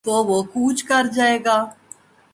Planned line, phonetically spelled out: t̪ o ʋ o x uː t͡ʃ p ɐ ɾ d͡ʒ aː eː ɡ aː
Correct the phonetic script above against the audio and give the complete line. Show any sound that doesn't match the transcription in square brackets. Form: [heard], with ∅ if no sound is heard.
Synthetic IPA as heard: t̪ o ʋ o [k] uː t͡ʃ [k] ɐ ɾ d͡ʒ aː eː ɡ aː